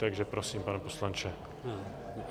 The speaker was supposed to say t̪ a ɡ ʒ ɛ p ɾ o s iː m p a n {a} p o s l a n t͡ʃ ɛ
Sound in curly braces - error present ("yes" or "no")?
yes